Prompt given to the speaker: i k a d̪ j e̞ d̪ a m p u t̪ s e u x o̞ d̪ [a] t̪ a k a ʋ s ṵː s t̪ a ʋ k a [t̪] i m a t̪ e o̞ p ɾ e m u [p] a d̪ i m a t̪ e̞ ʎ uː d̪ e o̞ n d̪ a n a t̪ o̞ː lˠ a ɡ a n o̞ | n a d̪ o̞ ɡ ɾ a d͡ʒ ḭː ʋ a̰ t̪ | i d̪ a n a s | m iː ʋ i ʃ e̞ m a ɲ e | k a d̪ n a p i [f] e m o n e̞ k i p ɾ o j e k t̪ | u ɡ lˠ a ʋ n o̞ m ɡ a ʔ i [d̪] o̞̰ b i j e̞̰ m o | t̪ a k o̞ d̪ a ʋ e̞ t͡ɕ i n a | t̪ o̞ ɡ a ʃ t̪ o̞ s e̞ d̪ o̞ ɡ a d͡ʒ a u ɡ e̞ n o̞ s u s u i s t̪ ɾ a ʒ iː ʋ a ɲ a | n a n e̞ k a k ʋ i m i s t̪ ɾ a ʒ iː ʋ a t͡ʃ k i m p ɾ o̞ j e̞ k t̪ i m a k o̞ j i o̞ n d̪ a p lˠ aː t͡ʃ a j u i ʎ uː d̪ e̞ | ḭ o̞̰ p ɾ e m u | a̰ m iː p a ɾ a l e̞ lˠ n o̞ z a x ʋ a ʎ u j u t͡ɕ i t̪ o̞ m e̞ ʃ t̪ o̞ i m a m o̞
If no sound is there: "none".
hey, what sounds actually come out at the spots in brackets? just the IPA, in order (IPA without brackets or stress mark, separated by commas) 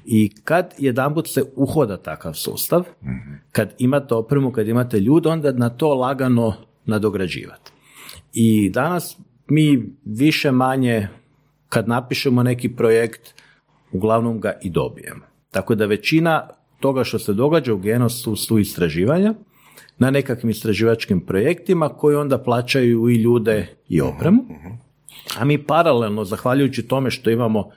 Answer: a, d̪, k, ʃ, d̪